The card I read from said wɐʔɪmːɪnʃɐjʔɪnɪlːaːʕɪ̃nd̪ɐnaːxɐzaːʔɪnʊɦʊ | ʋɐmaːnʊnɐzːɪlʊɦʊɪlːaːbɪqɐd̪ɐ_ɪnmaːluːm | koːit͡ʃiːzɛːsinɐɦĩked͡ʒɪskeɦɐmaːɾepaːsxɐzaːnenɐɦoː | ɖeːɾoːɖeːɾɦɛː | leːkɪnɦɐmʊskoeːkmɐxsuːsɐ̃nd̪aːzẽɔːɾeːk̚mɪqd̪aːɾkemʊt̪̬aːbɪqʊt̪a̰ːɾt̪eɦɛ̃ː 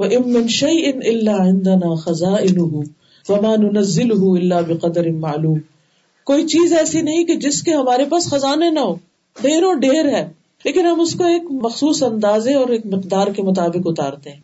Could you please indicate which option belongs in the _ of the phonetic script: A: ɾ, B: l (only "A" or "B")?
A